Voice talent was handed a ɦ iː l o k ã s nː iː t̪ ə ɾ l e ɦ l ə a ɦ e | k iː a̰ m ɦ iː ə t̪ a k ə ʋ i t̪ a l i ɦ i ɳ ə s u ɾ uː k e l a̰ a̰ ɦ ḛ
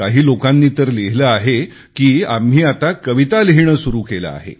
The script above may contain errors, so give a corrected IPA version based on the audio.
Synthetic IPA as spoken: a ɦ iː l o k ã nː iː t̪ ə ɾ l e ɦ l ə a ɦ e | k iː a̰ m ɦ iː a t̪ a k ə ʋ i t̪ a l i ɦ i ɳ ə s u ɾ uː k e l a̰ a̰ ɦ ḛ